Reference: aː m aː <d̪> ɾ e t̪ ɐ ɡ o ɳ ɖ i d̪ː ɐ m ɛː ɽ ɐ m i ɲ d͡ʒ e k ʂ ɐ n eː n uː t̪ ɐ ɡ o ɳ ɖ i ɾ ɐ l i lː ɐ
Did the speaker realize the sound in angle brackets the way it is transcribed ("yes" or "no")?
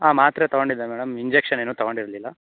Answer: no